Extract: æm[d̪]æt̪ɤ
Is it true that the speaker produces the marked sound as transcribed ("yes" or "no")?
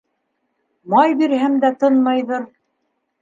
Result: yes